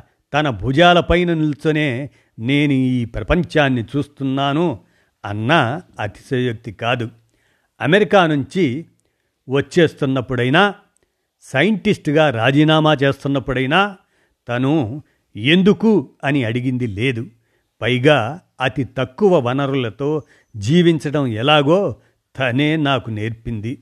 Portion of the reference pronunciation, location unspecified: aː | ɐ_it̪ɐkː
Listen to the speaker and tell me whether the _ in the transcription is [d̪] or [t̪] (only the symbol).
t̪